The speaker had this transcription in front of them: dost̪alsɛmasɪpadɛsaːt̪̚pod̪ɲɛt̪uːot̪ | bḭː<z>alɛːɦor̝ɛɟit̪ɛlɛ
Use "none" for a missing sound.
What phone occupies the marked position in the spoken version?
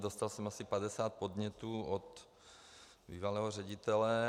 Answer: v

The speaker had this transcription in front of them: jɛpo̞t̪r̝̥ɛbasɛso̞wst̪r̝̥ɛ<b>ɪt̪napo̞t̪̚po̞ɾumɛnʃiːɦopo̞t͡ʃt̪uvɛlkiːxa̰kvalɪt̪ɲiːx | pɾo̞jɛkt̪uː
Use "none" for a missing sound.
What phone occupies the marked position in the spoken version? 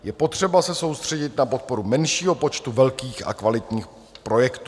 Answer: ɟ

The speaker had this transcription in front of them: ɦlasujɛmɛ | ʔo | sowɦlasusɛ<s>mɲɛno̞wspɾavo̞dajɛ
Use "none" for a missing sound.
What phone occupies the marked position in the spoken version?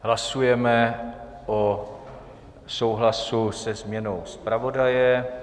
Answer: z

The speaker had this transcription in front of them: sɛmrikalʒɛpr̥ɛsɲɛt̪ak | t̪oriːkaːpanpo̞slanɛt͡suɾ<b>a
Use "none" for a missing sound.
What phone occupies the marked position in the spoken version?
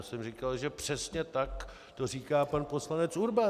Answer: b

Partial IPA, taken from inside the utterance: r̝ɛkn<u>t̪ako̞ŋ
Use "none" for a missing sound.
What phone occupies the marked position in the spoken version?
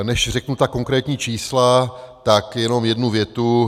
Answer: u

